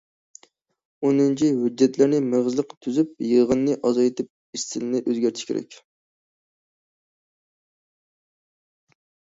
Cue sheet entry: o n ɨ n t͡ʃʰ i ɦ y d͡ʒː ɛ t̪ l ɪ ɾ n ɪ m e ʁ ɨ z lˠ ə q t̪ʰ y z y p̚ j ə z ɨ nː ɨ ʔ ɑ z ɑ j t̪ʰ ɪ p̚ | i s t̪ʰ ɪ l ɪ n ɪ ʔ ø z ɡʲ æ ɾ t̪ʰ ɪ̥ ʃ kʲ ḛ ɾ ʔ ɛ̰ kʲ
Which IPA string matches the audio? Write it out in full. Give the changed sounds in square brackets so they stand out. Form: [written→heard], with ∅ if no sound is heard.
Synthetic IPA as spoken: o n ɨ n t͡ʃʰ i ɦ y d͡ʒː ɛ t̪ l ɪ ɾ n ɪ m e ʁ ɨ z lˠ ə q t̪ʰ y z y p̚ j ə [z→ʁ] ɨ nː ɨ ʔ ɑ z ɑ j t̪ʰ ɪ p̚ | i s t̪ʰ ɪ l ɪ n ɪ ʔ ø z ɡʲ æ ɾ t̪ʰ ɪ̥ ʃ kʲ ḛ ɾ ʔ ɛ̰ kʲ